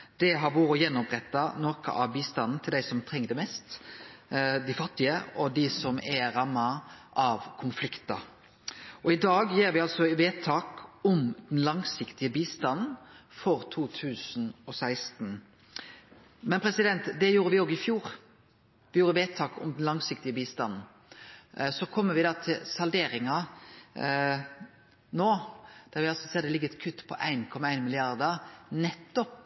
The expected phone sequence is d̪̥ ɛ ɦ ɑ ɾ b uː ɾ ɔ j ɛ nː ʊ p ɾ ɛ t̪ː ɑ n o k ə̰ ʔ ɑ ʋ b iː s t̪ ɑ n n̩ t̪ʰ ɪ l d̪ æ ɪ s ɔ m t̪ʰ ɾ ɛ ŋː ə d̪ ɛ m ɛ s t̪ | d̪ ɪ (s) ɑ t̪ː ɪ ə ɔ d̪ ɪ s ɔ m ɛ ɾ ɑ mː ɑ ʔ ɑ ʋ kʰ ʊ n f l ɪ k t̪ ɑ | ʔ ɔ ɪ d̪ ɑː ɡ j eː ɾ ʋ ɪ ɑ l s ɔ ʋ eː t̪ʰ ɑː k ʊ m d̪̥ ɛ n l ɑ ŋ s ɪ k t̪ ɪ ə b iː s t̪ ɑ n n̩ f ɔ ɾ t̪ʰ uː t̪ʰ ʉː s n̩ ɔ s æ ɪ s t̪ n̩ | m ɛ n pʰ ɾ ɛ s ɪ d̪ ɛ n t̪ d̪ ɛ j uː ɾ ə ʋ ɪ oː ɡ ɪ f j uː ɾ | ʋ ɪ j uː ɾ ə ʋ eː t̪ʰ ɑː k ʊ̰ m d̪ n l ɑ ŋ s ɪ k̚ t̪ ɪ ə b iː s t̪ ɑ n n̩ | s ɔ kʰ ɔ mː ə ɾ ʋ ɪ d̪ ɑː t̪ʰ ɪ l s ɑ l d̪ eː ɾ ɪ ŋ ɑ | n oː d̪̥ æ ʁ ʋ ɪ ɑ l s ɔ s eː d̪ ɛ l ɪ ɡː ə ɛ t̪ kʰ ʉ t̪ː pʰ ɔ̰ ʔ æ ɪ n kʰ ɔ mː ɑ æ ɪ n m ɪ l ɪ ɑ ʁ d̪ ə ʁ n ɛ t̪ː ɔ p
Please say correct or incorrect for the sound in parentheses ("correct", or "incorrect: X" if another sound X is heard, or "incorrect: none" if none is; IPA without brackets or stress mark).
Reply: incorrect: f